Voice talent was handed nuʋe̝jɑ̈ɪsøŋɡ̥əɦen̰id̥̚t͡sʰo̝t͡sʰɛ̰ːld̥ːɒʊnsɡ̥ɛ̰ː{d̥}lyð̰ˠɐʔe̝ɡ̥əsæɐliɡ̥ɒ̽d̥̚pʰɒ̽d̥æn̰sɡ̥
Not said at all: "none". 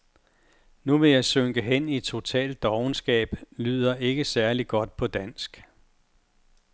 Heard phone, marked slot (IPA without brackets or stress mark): b̥